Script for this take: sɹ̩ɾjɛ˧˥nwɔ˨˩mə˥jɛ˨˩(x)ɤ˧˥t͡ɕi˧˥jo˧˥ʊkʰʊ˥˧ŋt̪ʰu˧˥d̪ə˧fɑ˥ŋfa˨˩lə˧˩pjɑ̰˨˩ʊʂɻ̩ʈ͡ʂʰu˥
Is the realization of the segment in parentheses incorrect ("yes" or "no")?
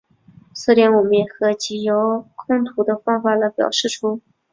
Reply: no